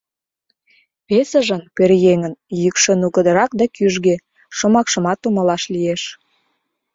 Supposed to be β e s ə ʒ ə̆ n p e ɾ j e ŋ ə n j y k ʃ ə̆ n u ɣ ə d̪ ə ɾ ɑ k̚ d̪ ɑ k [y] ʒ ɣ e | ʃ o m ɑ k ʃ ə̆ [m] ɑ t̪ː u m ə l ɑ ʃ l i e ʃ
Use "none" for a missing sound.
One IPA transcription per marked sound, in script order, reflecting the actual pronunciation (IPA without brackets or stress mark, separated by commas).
y, m